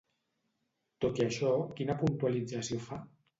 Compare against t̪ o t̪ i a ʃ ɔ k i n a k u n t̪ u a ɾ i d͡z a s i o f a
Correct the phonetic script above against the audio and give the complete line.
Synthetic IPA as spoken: t̪ o t̪ i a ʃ ɔ k i n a p u n t̪ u a l i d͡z a s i o f a